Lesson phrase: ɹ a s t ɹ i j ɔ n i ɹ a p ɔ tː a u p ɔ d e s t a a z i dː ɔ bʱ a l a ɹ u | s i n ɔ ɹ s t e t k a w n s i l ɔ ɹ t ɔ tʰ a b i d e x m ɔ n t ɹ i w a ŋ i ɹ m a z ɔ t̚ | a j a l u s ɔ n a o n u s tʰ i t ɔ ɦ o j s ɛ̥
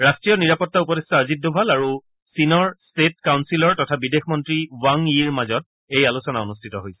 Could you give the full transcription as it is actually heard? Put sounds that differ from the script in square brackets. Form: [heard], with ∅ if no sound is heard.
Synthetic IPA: ɹ a s t ɹ i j ɔ n i ɹ a p ɔ tː a u p ɔ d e s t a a z i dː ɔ bʱ a l a ɹ u | s i n ɔ ɹ s t e t k a w n s i l ɔ ɹ t ɔ tʰ a b i d e x m ɔ n t ɹ i w a ŋ i ɹ m a z ɔ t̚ | [e] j a l u s ɔ n a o n u s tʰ i t ɔ ɦ o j s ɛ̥